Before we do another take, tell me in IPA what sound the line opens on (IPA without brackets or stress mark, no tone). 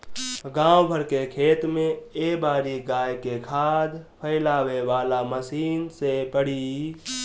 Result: ɡ